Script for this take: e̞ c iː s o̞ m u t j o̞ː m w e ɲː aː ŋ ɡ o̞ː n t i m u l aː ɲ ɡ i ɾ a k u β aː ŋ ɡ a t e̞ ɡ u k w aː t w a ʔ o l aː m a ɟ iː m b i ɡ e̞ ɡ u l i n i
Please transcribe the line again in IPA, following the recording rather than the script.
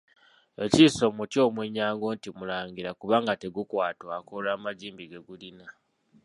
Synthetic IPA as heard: e̞ c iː s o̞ m u t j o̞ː m w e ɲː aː ŋ ɡ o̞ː n t i m u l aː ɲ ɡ i ɾ a k u β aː ŋ ɡ a t e̞ ɡ u k w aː t w a k o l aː m a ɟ iː m b i ɡ e̞ ɡ u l i n a